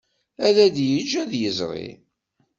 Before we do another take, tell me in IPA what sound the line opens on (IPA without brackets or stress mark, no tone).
æ